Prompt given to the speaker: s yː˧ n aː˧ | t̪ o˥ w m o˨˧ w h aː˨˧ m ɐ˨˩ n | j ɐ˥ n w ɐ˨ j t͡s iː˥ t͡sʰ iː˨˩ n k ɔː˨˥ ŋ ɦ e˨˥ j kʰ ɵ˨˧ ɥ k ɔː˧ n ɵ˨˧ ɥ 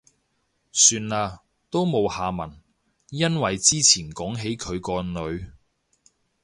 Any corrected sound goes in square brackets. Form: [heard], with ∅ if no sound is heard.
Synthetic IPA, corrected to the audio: s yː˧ n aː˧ | t̪ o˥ w m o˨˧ w h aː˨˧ m ɐ˨˩ n | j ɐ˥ n w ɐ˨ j t͡s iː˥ t͡sʰ iː˨˩ n k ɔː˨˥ ŋ ɦ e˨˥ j kʰ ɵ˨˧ ɥ k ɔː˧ n ɵ˨˧ ɥ